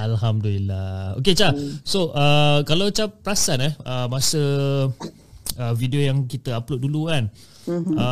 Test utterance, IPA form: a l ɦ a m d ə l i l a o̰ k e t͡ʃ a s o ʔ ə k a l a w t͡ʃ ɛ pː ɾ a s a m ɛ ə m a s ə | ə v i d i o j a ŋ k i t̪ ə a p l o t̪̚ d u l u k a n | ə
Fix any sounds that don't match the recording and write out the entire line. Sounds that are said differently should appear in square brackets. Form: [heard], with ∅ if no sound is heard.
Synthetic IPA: a l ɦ a m d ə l i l a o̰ k e t͡ʃ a s o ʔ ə k a l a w t͡ʃ [a] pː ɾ a s a [n] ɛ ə m a s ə | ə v i d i o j a ŋ k i t̪ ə a p l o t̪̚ d u l u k a n | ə